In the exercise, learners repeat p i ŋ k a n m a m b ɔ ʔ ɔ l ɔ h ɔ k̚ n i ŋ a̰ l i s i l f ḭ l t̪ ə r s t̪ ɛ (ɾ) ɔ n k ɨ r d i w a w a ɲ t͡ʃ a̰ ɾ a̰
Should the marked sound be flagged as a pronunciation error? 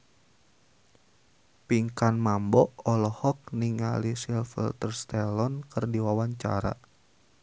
yes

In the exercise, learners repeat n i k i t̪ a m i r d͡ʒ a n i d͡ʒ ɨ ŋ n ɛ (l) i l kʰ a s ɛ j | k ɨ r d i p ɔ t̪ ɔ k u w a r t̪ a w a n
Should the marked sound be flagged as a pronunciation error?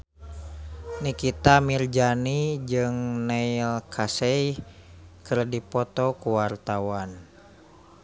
yes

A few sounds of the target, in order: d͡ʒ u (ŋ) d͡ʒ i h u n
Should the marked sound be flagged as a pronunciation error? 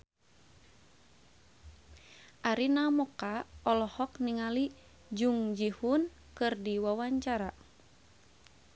no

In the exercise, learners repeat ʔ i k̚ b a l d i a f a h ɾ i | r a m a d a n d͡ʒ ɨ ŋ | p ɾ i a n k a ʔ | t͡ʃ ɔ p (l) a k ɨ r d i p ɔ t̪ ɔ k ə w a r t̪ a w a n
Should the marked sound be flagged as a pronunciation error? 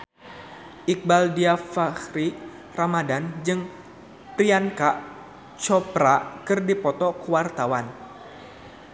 yes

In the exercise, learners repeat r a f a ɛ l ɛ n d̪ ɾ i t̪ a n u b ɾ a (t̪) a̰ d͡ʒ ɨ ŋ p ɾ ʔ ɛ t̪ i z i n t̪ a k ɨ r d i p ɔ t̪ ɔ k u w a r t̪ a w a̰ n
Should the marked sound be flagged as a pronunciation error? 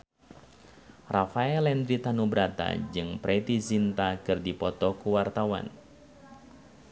no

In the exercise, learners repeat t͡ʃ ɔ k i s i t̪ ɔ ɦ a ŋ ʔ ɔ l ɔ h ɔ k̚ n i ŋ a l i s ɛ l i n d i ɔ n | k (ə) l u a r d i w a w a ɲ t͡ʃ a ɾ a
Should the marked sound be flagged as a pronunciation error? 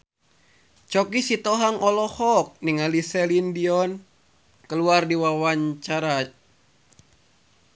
no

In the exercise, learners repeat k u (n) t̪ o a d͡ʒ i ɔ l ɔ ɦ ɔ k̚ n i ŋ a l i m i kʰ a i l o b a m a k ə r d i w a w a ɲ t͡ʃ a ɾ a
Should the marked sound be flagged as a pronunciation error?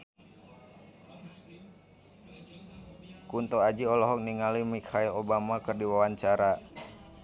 no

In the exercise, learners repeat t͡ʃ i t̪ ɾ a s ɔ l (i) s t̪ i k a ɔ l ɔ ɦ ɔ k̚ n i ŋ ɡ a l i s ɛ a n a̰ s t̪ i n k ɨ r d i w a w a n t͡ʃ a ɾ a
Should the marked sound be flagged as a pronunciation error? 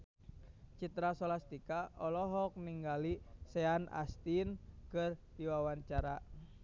yes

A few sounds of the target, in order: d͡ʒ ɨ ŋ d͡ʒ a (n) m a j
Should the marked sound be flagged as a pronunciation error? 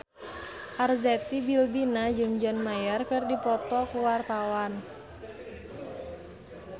no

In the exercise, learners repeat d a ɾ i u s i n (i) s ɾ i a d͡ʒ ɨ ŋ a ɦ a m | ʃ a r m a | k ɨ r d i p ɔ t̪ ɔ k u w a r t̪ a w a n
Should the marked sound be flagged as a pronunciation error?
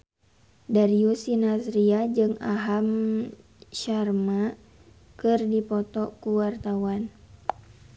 yes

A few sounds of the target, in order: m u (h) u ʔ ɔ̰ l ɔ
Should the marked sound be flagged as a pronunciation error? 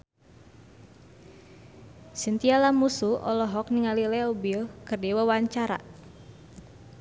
yes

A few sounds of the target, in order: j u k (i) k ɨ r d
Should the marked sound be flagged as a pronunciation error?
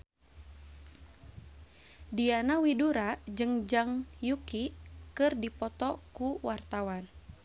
no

